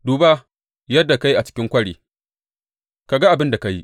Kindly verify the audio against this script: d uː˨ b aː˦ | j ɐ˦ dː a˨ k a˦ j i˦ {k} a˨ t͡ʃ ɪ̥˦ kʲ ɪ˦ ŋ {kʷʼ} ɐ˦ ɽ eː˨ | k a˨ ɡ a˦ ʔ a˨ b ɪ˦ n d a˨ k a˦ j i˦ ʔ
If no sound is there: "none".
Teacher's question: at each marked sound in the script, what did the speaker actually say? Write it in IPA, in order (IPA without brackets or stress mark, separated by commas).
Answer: ʔ, kʷ